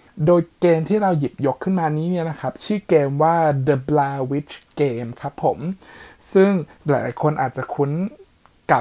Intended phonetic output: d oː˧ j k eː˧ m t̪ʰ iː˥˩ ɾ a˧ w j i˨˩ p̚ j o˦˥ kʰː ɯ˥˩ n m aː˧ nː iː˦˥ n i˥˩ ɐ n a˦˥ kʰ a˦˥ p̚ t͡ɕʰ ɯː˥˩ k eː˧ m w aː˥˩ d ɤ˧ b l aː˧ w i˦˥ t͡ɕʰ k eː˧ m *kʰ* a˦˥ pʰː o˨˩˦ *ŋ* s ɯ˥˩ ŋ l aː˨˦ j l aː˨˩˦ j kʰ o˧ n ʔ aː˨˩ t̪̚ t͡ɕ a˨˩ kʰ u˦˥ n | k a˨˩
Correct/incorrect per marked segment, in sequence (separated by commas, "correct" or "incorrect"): correct, incorrect